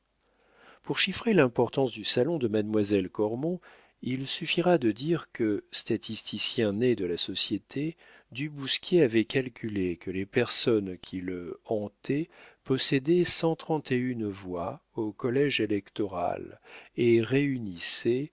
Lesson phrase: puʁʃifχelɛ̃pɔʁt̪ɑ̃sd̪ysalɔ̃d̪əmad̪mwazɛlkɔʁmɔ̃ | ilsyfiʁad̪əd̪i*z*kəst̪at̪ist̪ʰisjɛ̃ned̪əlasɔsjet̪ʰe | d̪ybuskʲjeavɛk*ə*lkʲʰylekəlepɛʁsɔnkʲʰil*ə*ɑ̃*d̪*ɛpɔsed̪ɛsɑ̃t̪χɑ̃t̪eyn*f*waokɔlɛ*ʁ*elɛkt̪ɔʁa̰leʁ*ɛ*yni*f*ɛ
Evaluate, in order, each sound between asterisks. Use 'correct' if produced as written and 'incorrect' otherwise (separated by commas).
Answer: incorrect, incorrect, correct, incorrect, incorrect, incorrect, incorrect, incorrect